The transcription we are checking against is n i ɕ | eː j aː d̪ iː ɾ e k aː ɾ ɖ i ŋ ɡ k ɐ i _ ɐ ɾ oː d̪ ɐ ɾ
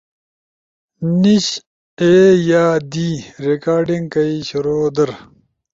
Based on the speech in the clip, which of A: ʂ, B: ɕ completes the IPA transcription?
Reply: B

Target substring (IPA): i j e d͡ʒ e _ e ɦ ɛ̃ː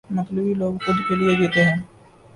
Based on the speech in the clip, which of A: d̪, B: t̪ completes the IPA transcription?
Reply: B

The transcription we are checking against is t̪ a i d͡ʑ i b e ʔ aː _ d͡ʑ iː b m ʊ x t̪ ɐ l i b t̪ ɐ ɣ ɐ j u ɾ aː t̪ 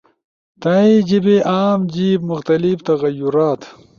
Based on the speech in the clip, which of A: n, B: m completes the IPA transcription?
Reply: B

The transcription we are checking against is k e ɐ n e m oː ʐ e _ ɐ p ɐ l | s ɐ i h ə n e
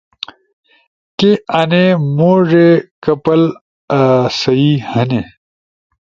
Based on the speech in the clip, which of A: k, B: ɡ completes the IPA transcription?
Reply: A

